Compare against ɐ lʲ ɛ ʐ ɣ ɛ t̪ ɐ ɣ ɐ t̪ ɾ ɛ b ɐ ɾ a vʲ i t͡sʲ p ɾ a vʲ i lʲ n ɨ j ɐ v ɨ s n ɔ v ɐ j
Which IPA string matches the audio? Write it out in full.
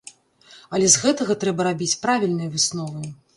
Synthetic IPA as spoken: ɐ lʲ ɛ z ɣ ɛ t̪ ɐ ɣ ɐ t̪ ɾ ɛ b ɐ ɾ a bʲ i t͡sʲ p ɾ a vʲ i lʲ n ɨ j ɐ v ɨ s n ɔ v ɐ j